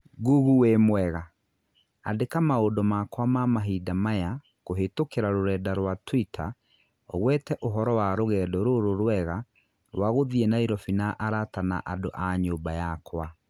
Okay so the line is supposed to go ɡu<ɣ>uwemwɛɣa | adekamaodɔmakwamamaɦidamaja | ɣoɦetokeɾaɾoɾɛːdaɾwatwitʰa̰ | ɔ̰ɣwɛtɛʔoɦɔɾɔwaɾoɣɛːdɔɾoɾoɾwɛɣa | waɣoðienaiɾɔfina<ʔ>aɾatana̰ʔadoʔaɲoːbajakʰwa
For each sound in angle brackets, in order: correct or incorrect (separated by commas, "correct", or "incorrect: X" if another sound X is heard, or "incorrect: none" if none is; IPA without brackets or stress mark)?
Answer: correct, correct